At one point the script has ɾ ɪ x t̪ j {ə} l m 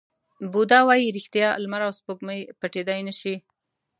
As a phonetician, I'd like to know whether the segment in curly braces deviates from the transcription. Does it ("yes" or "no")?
yes